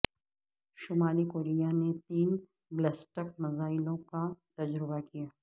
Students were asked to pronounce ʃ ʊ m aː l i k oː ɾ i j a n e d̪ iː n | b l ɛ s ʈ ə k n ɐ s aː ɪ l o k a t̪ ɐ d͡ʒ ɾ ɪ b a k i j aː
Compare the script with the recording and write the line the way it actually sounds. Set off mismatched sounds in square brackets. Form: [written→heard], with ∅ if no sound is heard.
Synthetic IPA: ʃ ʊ m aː l i k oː ɾ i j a n e [d̪→t̪] iː n | b l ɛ s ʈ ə k [n→m] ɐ [s→z] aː ɪ l [o→õ] k a t̪ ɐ d͡ʒ ɾ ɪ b a k i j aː